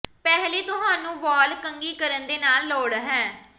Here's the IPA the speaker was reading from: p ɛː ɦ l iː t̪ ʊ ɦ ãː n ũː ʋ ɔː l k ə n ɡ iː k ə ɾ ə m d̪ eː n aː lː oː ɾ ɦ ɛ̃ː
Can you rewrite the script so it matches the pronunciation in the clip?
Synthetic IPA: p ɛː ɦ l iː t̪ ʊ ɦ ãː n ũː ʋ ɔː l k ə ŋ ɡ iː k ə ɾ ə n d̪ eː n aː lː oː ɽ ɦ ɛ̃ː